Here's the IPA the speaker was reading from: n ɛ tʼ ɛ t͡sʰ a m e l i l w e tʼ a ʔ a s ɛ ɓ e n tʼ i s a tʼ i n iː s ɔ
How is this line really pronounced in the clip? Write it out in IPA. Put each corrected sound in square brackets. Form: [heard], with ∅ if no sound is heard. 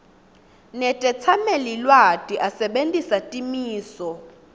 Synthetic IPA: n ɛ tʼ ɛ t͡sʰ a m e l i l w [a] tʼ [i] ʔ a s ɛ ɓ e n tʼ i s a tʼ i [m] iː s ɔ